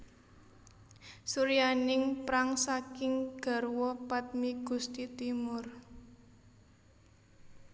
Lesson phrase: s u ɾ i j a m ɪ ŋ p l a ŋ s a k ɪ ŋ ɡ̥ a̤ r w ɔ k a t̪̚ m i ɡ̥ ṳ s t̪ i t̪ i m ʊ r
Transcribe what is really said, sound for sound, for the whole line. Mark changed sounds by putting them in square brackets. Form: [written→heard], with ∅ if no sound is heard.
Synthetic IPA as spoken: s u ɾ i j a [m→n] ɪ ŋ p [l→ɾ] a ŋ s a k ɪ ŋ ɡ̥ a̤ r w ɔ [k→p] a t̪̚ m i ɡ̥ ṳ s t̪ i t̪ i m ʊ r